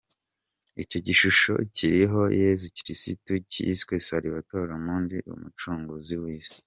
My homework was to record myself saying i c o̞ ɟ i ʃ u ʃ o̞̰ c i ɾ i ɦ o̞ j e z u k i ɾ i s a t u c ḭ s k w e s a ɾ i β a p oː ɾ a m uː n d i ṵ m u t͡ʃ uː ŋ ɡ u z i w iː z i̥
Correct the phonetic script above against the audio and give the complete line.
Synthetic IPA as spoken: i c o̞ ɟ i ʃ u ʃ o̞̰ c i ɾ i ɦ o̞ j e z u c i ɾ i s i t u c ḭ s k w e s a ɾ i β a t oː ɾ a m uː n d i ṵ m u t͡ʃ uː ŋ ɡ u z i w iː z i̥